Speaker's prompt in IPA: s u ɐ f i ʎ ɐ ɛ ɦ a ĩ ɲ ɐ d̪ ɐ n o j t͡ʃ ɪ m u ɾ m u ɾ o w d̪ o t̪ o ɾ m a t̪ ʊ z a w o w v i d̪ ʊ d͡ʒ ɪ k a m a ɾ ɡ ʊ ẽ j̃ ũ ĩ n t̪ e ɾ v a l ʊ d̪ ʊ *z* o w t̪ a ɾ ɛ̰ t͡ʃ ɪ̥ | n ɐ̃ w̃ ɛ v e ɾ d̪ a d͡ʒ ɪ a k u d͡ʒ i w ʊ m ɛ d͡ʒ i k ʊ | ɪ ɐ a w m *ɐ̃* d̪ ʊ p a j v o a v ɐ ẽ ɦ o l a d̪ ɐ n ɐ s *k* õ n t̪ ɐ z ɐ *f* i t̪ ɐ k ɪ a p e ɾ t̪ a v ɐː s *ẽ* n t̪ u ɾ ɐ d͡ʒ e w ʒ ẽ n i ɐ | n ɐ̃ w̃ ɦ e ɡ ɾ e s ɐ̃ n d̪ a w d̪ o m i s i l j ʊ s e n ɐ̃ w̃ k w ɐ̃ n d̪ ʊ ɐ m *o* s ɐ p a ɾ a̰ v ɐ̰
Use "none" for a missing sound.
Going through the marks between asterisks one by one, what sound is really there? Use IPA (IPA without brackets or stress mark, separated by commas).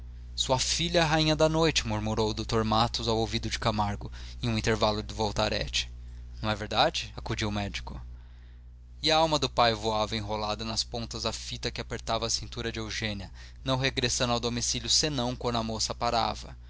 v, ɐ, p, f, ĩ, o